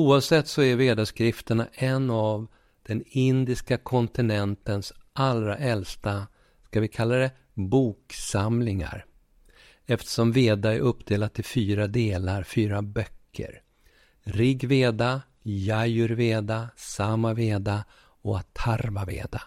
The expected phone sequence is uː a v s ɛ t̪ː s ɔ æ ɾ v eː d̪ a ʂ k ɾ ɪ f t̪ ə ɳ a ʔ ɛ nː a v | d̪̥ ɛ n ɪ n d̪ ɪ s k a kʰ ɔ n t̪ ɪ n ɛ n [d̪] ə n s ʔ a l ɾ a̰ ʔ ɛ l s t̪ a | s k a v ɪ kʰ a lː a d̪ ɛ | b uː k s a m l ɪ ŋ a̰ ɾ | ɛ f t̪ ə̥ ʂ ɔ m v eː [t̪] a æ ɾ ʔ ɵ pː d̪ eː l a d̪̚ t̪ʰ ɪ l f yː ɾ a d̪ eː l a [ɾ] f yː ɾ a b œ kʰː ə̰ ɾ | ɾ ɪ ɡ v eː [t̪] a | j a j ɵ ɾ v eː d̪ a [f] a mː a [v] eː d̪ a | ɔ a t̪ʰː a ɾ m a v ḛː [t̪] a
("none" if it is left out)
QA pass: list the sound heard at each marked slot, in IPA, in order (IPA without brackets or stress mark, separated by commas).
t̪, d̪, ɾ, d̪, s, v, d̪